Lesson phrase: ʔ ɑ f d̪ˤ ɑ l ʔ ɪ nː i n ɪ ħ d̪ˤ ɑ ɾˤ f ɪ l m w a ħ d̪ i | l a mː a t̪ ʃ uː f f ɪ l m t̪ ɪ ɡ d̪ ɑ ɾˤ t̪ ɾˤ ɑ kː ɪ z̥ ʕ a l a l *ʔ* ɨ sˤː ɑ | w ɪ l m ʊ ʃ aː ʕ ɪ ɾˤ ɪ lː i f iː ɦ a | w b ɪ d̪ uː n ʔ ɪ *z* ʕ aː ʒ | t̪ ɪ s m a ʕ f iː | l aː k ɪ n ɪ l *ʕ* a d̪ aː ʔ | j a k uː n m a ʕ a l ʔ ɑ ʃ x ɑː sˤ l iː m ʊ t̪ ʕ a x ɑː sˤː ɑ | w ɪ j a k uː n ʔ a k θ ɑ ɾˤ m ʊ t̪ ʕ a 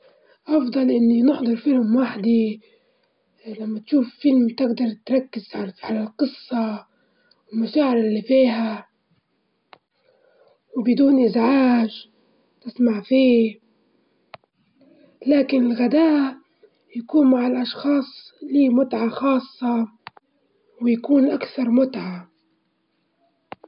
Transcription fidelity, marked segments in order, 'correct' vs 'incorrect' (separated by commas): incorrect, correct, incorrect